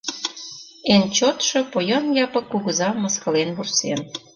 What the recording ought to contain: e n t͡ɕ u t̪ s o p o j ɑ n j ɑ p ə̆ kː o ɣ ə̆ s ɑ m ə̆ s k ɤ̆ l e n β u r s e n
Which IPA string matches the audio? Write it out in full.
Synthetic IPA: e n t͡ɕ o t̪ ʃ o p o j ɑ n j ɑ p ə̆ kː u ɣ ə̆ z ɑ m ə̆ s k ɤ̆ l e n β u r s e n

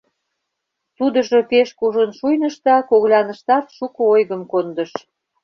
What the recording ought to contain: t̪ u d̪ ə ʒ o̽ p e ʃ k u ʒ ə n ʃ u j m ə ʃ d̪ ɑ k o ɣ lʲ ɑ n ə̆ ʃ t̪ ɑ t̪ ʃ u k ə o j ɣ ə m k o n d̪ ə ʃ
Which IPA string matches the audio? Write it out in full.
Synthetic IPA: t̪ u d̪ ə ʒ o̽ p e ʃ k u ʒ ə n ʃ u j n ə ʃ t̪ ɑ k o ɣ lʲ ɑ n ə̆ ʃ t̪ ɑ t̪ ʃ u k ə o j ɣ ə m k o n d̪ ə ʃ

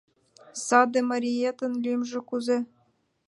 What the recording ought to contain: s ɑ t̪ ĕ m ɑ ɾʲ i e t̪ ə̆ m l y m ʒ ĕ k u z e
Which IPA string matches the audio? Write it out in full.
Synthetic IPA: s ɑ d̪ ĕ m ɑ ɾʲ i e t̪ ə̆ n l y m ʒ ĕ k u z e

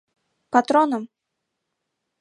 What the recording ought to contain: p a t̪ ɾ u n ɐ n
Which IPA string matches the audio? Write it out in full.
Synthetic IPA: p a t̪ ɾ ɔ n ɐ m

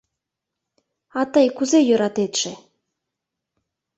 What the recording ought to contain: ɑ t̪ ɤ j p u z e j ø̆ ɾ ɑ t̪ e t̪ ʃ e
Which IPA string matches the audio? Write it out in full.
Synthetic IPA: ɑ t̪ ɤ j k u z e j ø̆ ɾ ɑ t̪ e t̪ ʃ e

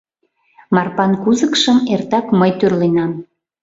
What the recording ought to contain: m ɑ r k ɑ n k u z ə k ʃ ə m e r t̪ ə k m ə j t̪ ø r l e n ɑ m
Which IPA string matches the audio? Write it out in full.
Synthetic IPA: m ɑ r p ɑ n k u z ə k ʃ ə m e r t̪ ɑ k m ə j t̪ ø r l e n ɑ m

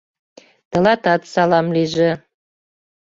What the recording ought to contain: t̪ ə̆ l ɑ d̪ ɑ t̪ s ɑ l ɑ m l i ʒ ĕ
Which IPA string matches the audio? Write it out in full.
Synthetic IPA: t̪ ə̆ l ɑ t̪ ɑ t̪ s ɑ l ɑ m l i ʒ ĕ

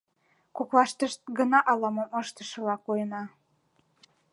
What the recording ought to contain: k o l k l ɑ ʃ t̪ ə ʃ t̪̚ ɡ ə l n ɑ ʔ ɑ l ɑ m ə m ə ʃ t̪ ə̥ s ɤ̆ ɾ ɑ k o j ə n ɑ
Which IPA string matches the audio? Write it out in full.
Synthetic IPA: k o k l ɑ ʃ t̪ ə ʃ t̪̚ ɡ ə n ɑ ʔ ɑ l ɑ m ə m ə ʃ t̪ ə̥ ʃ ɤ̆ l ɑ k o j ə n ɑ

